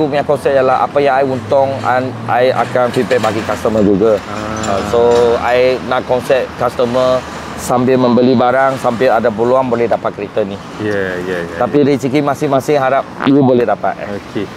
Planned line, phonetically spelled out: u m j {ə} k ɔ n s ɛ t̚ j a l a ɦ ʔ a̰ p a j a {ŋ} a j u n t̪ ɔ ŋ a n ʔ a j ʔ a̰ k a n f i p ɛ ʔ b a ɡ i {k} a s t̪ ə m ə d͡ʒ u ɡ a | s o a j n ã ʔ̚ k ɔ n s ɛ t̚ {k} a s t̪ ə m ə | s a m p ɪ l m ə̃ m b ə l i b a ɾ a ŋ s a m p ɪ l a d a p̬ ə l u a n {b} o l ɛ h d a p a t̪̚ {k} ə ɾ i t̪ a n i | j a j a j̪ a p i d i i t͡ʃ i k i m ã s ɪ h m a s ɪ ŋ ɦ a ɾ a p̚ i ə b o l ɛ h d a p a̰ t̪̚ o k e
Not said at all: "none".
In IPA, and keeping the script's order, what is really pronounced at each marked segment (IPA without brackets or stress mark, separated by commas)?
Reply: a, ŋ, k, k, b, k